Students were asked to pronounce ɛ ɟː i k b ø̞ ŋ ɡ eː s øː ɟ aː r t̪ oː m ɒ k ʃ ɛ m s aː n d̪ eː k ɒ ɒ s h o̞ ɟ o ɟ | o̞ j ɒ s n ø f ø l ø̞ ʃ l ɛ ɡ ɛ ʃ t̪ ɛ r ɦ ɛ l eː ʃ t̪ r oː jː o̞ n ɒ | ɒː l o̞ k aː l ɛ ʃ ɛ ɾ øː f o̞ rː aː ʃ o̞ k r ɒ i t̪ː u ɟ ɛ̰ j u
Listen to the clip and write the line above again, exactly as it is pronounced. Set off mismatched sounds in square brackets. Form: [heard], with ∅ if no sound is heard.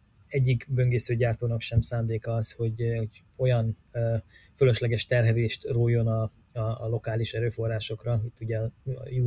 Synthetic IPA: ɛ ɟː i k b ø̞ ŋ ɡ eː s øː ɟ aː r t̪ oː [n] ɒ k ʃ ɛ m s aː n d̪ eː k ɒ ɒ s h o̞ ɟ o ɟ | o̞ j ɒ [∅] n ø f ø l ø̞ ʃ l ɛ ɡ ɛ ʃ t̪ ɛ r ɦ ɛ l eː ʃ t̪ r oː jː o̞ n ɒ | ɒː l o̞ k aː l [i] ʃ ɛ ɾ øː f o̞ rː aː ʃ o̞ k r ɒ i t̪ː u ɟ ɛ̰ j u